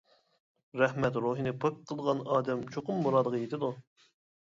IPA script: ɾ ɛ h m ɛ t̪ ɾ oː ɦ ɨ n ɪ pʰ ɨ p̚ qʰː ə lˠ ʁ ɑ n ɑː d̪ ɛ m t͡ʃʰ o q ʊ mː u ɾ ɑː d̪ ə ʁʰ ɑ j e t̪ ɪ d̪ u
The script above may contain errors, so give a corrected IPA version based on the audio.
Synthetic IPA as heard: ɾ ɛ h m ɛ t̪ ɾ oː ɦ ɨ n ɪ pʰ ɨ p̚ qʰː ə lˠ ʁ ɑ n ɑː d̪ ɛ m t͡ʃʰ o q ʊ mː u ɾ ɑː d̪ ə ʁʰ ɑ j e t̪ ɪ d̪ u